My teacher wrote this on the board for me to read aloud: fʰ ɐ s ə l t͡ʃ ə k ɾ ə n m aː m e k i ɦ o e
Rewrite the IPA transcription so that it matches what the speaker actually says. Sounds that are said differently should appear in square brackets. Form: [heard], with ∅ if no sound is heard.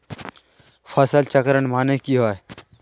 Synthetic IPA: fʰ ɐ s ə l t͡ʃ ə k ɾ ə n m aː [n] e k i ɦ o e